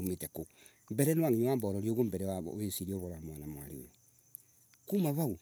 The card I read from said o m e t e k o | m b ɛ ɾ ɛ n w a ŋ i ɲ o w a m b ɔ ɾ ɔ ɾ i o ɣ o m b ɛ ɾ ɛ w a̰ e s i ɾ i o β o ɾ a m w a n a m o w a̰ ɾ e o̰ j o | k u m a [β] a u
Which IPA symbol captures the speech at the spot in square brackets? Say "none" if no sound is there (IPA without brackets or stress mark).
β